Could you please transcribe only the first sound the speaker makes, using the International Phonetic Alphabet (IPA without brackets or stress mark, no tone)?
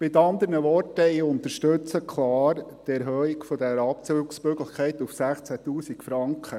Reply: m